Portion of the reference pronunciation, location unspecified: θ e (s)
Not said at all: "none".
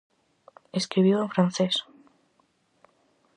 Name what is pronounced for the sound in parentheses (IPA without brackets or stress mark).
s